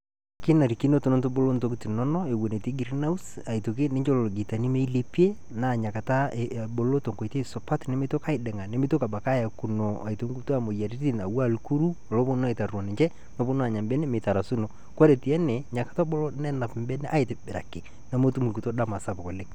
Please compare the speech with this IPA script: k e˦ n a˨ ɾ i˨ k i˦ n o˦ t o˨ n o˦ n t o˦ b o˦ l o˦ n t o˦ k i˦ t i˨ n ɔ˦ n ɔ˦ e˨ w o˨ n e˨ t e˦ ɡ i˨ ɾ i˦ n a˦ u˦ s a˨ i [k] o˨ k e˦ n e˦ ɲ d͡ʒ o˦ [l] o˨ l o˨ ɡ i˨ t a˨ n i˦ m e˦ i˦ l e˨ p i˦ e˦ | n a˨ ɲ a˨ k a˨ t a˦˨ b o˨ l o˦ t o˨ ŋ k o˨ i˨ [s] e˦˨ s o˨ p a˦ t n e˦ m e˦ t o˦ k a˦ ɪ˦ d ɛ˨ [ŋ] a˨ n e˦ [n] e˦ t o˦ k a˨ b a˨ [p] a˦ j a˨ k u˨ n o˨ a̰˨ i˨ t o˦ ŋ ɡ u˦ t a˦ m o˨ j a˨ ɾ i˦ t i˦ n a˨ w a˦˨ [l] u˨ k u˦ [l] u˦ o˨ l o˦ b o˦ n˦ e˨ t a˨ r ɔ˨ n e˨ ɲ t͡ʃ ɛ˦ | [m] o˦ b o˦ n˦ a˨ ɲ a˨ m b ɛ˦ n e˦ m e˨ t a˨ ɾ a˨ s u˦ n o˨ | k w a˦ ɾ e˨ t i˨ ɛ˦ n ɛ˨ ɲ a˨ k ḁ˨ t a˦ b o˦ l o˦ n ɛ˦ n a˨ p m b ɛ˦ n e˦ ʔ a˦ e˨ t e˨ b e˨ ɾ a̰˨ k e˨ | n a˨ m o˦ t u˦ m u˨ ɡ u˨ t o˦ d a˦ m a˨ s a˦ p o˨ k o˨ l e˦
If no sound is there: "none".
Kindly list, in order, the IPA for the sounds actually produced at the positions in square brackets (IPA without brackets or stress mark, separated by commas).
t, l, t, ŋ, m, k, l, ɾ, n